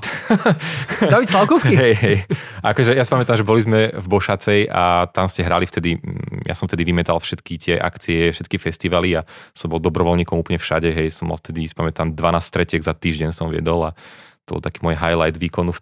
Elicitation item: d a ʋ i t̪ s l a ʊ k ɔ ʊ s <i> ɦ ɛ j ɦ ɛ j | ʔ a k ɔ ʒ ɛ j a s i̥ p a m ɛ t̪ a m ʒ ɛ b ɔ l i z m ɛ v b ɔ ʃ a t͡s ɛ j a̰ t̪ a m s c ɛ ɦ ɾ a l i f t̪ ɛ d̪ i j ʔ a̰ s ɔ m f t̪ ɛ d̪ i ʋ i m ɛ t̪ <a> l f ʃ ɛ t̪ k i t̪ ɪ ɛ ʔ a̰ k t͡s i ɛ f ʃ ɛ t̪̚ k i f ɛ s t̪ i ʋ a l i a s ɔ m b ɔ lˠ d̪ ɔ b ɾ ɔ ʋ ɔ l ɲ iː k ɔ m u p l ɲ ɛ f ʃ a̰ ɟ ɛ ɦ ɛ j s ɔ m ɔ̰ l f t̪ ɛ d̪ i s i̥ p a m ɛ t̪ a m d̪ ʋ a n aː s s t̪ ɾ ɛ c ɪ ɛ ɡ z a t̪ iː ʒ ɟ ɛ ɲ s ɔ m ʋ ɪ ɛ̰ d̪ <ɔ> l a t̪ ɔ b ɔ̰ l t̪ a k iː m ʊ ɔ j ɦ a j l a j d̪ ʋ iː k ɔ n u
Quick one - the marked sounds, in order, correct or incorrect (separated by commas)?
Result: correct, correct, correct